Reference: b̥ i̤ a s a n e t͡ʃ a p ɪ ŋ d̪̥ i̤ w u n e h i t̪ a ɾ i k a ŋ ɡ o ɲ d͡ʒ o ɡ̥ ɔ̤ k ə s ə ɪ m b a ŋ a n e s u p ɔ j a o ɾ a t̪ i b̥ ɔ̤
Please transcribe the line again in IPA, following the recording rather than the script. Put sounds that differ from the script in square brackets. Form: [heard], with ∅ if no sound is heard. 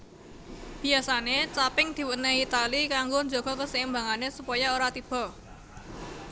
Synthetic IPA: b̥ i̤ a s a n e t͡ʃ a p ɪ ŋ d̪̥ i̤ w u n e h i t̪ a [l] i k a ŋ ɡ o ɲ d͡ʒ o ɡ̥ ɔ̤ k ə s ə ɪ m b a ŋ a n e s u p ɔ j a o ɾ a t̪ i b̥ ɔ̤